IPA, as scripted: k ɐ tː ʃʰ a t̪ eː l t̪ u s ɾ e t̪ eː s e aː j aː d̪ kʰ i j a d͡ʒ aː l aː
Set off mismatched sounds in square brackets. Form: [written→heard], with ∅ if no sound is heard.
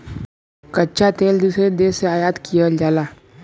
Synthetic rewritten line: k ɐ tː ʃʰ a t̪ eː l [t̪→d̪] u s ɾ e [t̪→d̪] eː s e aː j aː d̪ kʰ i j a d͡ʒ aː l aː